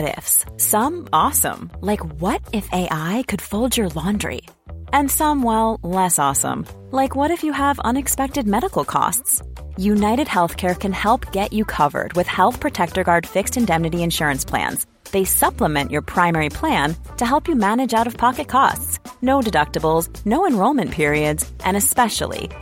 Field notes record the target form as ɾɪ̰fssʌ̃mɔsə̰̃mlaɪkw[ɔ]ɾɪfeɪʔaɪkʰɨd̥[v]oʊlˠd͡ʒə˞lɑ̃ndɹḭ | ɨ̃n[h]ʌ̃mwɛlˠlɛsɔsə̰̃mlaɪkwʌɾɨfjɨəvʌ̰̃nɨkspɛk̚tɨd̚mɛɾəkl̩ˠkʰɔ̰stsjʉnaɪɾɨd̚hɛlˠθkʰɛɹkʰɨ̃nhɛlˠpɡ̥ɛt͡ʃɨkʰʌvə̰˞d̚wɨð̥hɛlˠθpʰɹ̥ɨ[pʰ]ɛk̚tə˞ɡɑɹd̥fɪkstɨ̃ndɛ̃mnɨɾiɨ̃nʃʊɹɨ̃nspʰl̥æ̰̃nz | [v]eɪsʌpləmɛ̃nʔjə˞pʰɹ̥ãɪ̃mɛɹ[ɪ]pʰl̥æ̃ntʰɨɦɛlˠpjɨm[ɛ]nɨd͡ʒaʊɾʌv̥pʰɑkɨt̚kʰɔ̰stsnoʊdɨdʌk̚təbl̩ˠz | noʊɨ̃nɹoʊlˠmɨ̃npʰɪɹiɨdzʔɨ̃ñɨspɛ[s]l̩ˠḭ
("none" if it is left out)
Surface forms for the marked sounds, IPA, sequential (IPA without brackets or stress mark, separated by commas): ʌ, f, s, tʰ, ð, i, æ, ʃ